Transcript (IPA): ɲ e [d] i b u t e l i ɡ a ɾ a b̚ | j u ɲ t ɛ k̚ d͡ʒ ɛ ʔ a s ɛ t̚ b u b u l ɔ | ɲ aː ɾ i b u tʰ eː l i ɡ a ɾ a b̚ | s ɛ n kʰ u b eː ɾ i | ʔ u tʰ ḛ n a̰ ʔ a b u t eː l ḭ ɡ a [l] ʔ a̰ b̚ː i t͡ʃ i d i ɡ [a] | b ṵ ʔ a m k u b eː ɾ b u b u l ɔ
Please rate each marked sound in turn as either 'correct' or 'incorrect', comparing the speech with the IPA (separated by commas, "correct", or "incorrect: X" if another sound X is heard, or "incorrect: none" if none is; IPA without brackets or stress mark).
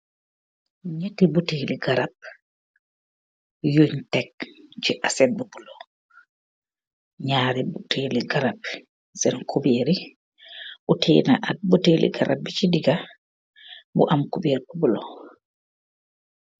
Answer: incorrect: t, incorrect: ɾ, correct